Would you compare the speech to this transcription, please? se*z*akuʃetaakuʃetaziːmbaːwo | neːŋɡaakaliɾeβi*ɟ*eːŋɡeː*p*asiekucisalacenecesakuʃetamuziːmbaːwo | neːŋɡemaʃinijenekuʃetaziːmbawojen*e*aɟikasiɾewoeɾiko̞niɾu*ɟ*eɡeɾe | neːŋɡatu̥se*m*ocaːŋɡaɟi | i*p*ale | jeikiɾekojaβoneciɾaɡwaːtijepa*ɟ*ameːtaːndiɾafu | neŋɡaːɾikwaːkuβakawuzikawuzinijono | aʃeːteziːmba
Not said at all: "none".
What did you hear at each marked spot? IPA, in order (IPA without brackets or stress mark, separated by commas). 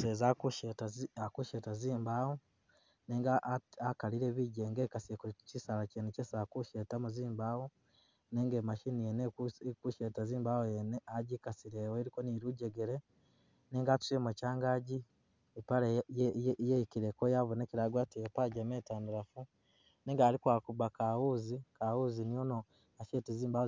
z, ɟ, k, e, ɟ, m, p, ɟ